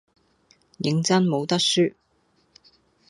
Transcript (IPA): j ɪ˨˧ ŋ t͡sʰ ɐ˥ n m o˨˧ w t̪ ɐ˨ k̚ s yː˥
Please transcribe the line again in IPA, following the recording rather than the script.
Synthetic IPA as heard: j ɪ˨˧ ŋ t͡s ɐ˥ n m o˨˧ w t̪ ɐ˥ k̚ s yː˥